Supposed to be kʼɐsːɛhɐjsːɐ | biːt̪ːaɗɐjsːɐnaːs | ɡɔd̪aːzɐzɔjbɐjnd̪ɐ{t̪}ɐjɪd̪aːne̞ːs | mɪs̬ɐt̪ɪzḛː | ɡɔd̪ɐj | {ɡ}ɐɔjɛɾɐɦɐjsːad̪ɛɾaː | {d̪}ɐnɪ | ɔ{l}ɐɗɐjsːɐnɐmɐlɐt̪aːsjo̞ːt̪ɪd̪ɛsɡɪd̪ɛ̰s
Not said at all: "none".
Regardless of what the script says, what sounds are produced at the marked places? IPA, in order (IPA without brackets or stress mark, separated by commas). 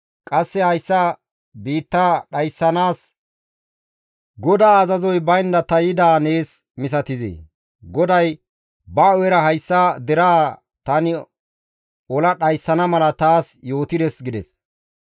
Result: t̪, b, t̪, l